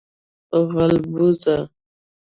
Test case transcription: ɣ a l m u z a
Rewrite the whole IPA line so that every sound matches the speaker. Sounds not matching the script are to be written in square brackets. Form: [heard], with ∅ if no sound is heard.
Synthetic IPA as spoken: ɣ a l [b] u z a